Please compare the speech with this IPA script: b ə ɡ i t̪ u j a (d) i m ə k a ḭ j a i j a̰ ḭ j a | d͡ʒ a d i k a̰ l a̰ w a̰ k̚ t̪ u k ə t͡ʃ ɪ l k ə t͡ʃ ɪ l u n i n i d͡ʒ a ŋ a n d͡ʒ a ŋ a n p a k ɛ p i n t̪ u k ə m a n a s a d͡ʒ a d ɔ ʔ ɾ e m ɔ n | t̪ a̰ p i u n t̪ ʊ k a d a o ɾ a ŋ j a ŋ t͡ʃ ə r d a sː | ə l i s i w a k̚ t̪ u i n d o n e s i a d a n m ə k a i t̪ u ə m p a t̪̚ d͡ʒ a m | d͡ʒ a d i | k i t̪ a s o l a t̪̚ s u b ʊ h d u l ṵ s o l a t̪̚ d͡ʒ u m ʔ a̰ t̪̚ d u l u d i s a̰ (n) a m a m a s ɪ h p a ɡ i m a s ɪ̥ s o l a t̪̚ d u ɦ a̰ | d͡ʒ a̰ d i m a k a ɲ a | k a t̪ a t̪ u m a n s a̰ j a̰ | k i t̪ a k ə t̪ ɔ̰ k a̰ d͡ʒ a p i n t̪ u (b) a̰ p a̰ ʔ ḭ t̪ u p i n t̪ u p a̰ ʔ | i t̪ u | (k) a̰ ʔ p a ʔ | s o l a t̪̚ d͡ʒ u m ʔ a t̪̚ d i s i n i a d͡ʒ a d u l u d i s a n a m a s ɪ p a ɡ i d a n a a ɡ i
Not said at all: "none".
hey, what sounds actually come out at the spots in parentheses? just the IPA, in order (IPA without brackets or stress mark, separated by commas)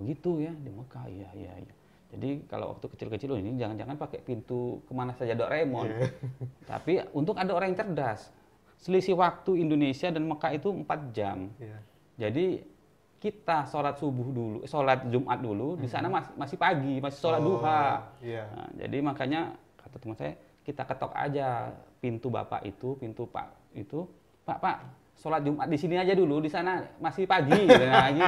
d, n, b, p